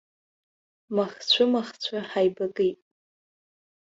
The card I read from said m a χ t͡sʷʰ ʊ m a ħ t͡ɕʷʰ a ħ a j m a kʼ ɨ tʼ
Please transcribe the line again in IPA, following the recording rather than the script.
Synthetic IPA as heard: m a χ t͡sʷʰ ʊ m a χ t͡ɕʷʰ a ħ a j b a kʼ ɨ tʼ